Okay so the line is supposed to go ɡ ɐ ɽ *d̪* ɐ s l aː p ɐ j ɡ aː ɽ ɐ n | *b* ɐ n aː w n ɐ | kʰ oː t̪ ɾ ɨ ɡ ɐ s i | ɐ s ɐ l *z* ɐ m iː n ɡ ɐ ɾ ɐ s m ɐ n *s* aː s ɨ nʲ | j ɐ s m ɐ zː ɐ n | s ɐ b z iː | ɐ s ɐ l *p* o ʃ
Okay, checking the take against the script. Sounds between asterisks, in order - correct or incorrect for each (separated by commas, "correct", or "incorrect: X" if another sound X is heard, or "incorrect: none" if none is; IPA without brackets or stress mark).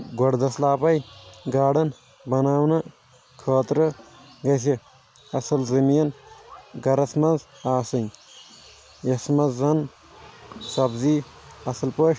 correct, correct, correct, incorrect: z, correct